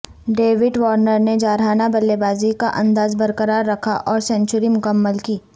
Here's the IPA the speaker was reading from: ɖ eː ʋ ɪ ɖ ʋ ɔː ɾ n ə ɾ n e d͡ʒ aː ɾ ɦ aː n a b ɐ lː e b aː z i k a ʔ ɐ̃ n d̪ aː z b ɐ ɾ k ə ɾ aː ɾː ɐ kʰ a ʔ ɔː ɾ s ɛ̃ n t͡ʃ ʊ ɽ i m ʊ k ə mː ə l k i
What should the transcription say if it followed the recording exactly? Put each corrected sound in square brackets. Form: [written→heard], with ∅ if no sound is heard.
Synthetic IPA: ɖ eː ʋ ɪ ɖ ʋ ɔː ɾ n ə ɾ n e d͡ʒ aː ɾ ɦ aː n a b ɐ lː e b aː z i k a ʔ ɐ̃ n d̪ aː z b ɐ ɾ k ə ɾ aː ɾː ɐ kʰ a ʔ ɔː ɾ s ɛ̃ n t͡ʃ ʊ [ɽ→ɾ] i m ʊ k ə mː ə l k [i→iː]